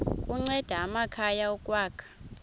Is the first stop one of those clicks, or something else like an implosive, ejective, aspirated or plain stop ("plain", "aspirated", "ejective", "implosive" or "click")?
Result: ejective